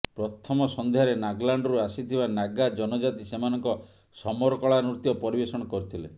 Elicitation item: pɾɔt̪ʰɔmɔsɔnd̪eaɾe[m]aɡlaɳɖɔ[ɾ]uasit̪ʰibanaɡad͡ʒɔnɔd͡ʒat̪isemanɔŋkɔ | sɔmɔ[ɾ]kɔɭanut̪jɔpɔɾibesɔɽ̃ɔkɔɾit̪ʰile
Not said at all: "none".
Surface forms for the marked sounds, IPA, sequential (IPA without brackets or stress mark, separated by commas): n, ɾ, ɾ